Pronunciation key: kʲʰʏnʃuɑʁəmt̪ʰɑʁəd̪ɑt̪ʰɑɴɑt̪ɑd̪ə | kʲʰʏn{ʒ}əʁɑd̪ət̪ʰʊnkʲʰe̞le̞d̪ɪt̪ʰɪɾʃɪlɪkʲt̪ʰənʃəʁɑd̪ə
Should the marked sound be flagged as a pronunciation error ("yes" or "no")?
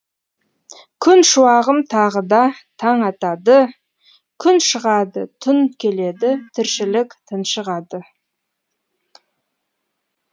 yes